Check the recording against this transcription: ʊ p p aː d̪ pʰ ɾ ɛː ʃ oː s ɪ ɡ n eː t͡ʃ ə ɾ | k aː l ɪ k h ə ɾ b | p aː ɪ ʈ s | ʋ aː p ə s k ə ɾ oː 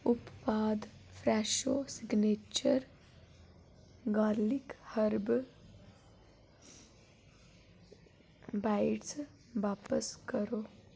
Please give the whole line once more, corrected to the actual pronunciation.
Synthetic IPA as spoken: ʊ p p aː d̪ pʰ ɾ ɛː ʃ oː s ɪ ɡ n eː t͡ʃ ə ɾ | ɡ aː l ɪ k h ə ɾ b | b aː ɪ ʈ s | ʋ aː p ə s k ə ɾ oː

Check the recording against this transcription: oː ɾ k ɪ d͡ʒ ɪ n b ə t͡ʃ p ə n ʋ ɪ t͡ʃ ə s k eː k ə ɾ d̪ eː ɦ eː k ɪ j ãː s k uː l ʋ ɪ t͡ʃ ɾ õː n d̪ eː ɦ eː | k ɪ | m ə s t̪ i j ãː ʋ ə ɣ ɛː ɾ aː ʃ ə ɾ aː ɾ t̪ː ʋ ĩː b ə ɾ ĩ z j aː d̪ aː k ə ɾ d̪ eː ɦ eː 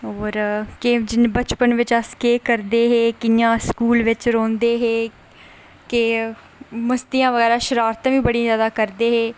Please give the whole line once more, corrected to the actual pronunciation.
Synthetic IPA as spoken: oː ɾ k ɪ d͡ʒ ɪ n b ə t͡ʃ p ə n ʋ ɪ t͡ʃ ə s k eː k ə ɾ d̪ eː ɦ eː k ɪ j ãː s k uː l ʋ ɪ t͡ʃ ɾ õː n d̪ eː ɦ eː | k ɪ | m ə s t̪ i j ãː ʋ ə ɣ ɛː ɾ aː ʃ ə ɾ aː ɾ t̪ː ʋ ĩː b ə ɽ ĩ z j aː d̪ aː k ə ɾ d̪ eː ɦ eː

